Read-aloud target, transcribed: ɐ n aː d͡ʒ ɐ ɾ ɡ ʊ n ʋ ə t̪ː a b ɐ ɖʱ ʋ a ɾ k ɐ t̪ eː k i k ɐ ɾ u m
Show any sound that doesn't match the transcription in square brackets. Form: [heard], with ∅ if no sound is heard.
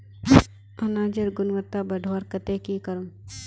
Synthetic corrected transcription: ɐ n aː d͡ʒ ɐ ɾ ɡ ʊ n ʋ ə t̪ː a b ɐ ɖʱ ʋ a ɾ k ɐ t̪ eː k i k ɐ ɾ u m